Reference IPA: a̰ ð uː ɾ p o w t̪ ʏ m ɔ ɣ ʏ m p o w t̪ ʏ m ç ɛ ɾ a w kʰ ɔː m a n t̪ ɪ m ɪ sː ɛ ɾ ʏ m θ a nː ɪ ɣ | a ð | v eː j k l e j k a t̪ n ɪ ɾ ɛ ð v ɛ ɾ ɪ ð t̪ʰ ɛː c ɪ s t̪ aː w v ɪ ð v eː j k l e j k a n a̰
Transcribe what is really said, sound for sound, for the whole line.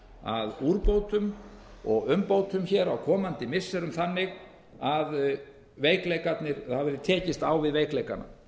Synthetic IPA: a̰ ð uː ɾ p o w t̪ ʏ m ɔ ɣ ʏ m p o w t̪ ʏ m ç ɛ ɾ a w kʰ ɔː m a n t̪ ɪ m ɪ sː ɛ ɾ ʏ m θ a nː ɪ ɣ | a ð | v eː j k l e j k a t̪ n ɪ ɾ a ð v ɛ ɾ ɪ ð t̪ʰ ɛː c ɪ s t̪ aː w v ɪ ð v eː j k l e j k a n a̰